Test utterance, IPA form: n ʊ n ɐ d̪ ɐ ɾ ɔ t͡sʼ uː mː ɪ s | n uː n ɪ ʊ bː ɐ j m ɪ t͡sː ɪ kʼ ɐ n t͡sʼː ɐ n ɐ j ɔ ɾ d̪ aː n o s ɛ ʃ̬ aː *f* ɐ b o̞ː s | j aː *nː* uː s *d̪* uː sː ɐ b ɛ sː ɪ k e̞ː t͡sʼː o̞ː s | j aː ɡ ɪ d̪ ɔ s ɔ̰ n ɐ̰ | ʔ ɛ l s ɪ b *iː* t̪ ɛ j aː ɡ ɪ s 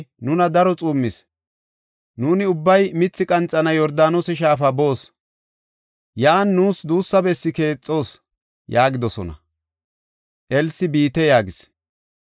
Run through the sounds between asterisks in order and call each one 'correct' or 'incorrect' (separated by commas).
correct, correct, correct, correct